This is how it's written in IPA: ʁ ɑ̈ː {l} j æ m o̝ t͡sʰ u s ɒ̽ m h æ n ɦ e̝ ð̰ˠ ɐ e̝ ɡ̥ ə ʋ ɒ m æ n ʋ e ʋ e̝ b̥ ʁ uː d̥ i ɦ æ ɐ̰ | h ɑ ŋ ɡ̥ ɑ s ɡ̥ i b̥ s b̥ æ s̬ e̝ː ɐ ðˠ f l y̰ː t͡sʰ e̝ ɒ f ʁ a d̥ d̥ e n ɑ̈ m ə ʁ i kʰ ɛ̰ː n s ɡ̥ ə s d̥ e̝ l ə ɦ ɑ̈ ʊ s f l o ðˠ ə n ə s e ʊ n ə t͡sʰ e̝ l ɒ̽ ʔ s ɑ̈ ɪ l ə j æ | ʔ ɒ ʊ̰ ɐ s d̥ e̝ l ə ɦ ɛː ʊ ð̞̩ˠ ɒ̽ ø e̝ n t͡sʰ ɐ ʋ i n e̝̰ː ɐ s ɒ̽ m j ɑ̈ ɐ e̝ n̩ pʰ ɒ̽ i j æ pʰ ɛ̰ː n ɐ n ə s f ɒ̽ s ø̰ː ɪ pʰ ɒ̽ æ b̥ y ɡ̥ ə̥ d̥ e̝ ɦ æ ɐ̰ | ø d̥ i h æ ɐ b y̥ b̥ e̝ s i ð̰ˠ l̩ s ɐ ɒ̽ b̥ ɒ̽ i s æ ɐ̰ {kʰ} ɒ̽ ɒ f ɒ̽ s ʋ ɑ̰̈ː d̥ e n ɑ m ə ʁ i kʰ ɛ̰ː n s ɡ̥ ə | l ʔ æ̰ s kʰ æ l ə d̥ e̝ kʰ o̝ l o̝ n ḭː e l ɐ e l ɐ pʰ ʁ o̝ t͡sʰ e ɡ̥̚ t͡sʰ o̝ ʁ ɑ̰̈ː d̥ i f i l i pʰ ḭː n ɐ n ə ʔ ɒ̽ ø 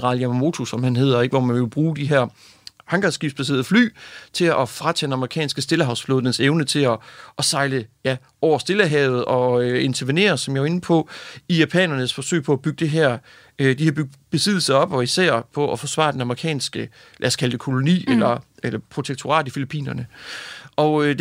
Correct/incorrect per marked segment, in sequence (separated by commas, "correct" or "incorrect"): correct, incorrect